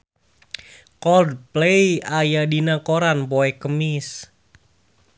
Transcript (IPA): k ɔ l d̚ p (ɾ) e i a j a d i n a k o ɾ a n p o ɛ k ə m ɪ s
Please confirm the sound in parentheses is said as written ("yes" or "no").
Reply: no